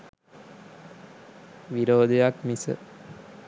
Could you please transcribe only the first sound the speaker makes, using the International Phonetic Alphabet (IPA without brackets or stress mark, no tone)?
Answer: ʋ